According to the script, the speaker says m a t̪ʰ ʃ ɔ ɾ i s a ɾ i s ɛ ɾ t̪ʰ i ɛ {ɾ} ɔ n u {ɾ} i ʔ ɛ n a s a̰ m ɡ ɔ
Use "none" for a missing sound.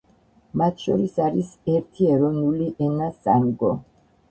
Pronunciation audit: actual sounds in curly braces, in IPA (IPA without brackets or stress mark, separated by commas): ɾ, l